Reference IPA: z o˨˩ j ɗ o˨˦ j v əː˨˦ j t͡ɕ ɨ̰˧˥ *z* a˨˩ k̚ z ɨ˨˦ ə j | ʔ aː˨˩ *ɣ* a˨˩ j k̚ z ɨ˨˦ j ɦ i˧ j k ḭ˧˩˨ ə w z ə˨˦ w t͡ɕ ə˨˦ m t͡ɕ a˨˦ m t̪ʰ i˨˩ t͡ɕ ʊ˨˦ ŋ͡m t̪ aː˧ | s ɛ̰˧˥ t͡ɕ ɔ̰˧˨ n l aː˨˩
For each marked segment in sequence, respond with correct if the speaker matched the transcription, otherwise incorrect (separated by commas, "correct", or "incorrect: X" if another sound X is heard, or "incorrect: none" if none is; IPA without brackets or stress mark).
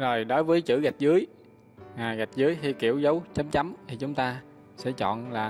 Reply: incorrect: ɣ, correct